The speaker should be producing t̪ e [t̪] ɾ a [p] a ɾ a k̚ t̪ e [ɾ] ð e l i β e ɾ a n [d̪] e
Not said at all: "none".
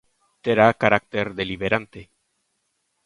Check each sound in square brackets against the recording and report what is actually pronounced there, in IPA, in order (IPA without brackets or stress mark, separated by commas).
none, k, ɾ, t̪